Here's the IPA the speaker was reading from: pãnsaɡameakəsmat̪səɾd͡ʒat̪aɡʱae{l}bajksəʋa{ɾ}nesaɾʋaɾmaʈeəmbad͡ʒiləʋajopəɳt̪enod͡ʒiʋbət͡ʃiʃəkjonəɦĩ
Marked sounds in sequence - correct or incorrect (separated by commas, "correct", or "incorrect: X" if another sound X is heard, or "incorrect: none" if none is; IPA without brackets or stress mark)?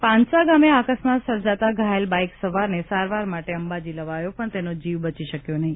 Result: correct, correct